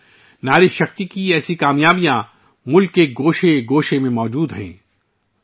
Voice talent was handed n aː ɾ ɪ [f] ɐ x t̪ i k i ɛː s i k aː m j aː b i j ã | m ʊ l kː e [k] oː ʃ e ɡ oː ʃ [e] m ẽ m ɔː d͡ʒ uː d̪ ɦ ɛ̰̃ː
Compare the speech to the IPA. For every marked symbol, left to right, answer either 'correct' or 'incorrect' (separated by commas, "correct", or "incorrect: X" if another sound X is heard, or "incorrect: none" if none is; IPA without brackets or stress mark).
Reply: incorrect: ʃ, incorrect: ɡ, correct